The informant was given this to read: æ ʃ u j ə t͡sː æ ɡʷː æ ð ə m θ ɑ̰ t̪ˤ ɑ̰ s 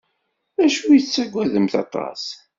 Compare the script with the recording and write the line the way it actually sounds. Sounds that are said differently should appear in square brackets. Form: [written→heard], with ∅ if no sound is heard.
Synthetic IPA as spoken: æ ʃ u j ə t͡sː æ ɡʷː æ ð ə m θ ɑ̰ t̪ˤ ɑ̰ s